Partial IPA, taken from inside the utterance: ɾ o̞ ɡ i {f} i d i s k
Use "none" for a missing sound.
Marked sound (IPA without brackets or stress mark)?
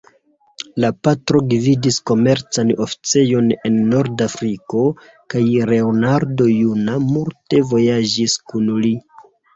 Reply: v